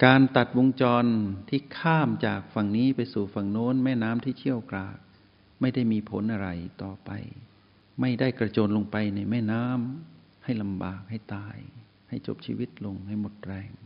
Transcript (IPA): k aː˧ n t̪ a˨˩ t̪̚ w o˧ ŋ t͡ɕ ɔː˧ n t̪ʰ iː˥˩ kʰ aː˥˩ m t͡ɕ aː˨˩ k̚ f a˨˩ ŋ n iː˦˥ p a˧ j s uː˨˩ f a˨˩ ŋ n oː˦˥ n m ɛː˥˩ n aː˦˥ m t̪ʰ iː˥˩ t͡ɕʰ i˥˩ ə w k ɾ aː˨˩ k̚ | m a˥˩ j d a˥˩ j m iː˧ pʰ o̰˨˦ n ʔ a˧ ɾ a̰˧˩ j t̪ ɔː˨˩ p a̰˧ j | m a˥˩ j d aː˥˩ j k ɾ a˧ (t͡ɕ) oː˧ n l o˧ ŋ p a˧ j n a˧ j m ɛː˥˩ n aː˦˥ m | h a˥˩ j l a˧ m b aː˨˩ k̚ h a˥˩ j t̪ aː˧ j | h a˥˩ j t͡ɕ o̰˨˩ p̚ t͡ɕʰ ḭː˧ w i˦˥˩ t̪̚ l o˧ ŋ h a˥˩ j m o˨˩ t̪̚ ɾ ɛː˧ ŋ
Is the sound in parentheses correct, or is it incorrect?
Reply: correct